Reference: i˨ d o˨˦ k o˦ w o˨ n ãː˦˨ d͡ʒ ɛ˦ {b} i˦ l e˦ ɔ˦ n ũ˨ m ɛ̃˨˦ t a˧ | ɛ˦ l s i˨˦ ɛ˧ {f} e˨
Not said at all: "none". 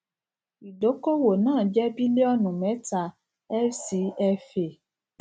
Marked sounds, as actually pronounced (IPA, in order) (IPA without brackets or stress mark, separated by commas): b, f